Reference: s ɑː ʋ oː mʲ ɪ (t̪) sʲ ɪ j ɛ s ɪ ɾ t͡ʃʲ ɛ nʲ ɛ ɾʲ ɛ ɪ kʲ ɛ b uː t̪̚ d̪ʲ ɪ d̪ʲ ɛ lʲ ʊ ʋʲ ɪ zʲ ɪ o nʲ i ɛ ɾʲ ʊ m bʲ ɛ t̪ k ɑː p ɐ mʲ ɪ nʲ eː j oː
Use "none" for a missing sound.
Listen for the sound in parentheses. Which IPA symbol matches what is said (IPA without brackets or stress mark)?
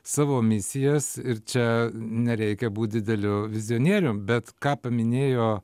none